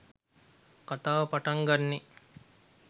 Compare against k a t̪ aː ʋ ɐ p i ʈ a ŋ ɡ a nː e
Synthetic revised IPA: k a t̪ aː ʋ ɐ p a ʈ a ŋ ɡ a nː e